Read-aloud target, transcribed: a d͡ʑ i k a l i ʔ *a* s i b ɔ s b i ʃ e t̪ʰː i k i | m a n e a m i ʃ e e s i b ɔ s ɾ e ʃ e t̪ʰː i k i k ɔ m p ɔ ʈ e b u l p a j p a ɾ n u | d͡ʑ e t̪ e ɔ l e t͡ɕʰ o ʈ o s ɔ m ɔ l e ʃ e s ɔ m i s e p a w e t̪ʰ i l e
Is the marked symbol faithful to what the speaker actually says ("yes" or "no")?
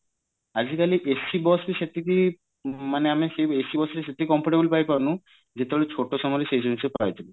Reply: no